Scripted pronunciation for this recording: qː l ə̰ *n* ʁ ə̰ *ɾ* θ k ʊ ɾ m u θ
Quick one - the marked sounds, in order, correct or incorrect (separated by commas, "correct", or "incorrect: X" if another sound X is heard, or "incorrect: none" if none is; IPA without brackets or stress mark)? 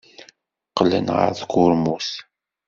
correct, correct